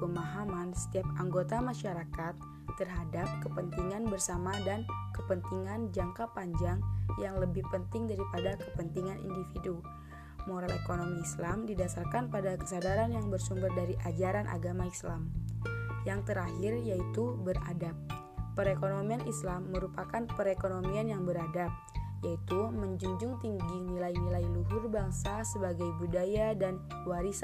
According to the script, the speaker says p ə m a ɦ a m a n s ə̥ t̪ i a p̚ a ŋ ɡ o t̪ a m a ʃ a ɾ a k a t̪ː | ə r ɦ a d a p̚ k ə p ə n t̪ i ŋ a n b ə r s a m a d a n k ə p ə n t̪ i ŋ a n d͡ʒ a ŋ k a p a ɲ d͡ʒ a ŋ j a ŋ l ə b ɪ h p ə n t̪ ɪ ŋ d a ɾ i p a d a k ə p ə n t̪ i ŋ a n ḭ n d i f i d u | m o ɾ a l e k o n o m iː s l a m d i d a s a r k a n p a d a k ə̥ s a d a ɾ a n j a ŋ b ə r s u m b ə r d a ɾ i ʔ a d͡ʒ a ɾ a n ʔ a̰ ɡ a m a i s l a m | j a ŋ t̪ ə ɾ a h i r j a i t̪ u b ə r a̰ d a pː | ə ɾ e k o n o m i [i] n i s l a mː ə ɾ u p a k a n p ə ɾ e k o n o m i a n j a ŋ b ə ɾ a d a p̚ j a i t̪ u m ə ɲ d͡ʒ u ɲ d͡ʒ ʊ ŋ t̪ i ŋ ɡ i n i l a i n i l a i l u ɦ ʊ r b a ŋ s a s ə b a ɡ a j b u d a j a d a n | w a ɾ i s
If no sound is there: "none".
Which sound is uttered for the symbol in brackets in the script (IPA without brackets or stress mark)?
a